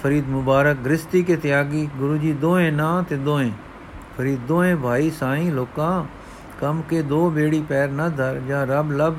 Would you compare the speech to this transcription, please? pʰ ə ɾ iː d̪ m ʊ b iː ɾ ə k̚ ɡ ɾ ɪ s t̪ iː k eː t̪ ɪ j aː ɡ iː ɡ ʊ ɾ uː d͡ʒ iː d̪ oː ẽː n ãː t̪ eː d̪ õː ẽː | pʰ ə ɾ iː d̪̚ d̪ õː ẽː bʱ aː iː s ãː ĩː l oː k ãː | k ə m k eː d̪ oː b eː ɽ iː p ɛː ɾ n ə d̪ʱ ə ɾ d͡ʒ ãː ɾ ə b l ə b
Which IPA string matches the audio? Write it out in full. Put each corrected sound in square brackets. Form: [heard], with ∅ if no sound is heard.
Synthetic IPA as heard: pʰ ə ɾ iː d̪ m ʊ b [aː] ɾ ə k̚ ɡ ɾ ɪ s t̪ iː k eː t̪ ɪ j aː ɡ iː ɡ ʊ ɾ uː d͡ʒ iː d̪ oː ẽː n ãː t̪ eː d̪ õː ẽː | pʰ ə ɾ iː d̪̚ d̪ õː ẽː bʱ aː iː s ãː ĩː l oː k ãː | k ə m k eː d̪ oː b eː ɽ iː p ɛː ɾ n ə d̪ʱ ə ɾ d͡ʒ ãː ɾ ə b l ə b